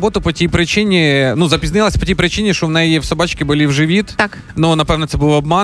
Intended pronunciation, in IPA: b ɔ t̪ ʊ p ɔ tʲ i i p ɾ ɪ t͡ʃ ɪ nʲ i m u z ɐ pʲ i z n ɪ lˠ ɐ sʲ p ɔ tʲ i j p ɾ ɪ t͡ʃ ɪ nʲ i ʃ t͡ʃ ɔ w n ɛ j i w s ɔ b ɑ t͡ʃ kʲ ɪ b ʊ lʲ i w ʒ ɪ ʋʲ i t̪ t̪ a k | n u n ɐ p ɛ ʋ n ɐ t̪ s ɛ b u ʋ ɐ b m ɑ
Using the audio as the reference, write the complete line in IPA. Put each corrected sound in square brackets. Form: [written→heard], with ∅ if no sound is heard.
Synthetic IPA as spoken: b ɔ t̪ ʊ p ɔ tʲ i [i→j] p ɾ ɪ t͡ʃ ɪ nʲ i [m→n] u z ɐ pʲ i z n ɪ lˠ ɐ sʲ p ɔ tʲ i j p ɾ ɪ t͡ʃ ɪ nʲ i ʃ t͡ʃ ɔ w n ɛ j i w s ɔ b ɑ t͡ʃ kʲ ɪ b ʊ lʲ i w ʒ ɪ ʋʲ i t̪ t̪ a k | n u n ɐ p ɛ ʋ n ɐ t̪ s ɛ b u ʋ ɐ b m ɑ